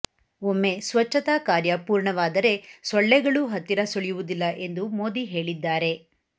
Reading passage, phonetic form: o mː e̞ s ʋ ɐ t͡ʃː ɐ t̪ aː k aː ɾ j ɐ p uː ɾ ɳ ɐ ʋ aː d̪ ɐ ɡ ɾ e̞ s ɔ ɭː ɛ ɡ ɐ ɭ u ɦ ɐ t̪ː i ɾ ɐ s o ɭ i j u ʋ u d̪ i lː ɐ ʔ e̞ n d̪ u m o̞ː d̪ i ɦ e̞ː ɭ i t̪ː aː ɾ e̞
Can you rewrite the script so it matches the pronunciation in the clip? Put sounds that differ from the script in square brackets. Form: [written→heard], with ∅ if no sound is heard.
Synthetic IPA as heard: o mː e̞ s ʋ ɐ t͡ʃː ɐ t̪ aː k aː ɾ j ɐ p uː ɾ ɳ ɐ ʋ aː d̪ ɐ [ɡ→∅] ɾ e̞ s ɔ ɭː ɛ ɡ ɐ ɭ u ɦ ɐ t̪ː i ɾ ɐ s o ɭ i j u ʋ u d̪ i lː ɐ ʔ e̞ n d̪ u m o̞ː d̪ i ɦ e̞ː ɭ i [t̪ː→d̪ː] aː ɾ e̞